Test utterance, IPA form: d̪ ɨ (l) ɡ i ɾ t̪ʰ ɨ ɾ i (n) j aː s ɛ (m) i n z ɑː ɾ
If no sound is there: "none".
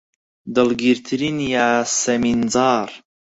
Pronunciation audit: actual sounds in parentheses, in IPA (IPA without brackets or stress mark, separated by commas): l, n, m